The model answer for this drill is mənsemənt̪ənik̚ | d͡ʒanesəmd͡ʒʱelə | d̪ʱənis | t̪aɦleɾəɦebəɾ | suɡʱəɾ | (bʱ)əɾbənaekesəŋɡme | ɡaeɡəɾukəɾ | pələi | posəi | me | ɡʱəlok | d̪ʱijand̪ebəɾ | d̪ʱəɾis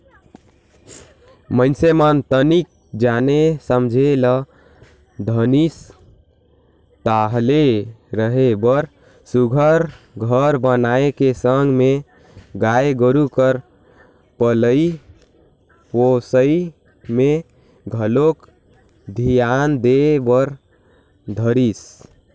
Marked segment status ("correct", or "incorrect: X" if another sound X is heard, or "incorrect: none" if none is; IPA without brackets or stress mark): incorrect: ɡʱ